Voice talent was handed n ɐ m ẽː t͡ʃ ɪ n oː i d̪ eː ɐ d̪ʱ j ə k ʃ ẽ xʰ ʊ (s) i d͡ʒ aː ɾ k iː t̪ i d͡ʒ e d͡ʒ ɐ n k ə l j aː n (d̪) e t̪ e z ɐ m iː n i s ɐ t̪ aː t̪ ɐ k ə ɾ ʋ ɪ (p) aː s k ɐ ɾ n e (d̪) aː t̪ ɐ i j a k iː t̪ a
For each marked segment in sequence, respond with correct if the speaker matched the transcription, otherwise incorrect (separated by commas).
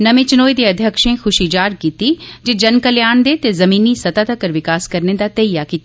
incorrect, correct, incorrect, correct